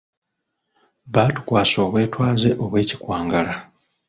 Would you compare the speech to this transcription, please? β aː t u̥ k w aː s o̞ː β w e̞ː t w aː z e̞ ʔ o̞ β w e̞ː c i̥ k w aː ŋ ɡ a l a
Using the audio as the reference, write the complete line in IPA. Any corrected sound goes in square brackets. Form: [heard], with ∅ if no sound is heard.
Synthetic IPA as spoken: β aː t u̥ k w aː s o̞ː β w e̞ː t w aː z e̞ ʔ o̞ β w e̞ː c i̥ k w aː ŋ ɡ a l a